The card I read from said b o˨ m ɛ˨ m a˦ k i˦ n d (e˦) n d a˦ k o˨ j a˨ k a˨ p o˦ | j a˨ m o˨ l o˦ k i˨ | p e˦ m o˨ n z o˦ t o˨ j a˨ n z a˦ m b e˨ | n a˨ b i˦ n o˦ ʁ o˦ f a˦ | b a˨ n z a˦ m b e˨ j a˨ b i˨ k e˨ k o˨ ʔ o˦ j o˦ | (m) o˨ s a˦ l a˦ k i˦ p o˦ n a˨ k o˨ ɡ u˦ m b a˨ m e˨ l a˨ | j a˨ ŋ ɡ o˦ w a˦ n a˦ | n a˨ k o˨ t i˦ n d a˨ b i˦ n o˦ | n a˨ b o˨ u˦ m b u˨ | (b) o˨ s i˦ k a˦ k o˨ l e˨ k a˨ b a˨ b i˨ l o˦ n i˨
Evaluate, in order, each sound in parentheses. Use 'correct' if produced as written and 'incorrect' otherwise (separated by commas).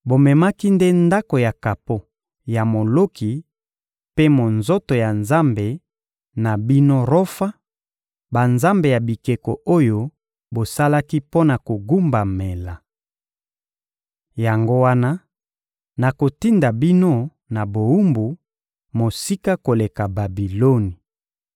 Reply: correct, incorrect, incorrect